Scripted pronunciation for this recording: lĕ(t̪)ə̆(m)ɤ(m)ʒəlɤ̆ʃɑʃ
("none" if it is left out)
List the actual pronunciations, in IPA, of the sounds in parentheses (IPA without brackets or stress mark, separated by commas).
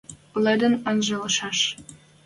d̪, n, n